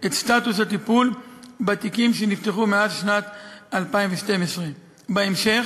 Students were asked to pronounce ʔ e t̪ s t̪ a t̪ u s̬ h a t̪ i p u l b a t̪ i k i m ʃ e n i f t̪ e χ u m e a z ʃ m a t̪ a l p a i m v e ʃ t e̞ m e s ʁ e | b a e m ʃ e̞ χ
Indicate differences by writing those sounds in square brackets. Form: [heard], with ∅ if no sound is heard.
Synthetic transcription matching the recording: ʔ e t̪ s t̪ a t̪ u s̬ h a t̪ i p u l b a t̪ i k i m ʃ e n i f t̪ e χ u m e a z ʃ [n] a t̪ a l p a i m v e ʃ t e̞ m e s ʁ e | b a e m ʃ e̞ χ